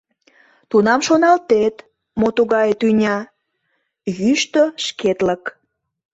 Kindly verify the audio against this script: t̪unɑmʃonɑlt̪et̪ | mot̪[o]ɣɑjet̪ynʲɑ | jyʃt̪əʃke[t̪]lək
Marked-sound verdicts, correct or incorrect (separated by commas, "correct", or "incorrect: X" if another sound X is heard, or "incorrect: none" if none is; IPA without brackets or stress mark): incorrect: u, correct